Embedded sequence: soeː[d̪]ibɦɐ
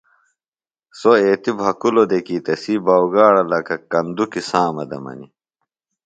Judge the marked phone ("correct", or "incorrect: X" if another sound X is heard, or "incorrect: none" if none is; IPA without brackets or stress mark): incorrect: t̪